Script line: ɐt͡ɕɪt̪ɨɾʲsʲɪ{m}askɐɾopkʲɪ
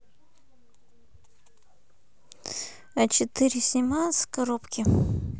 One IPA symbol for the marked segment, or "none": m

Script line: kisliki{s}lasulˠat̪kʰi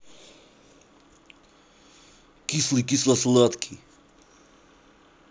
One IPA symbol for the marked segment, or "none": s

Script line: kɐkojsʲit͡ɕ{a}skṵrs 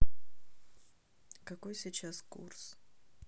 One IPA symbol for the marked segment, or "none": a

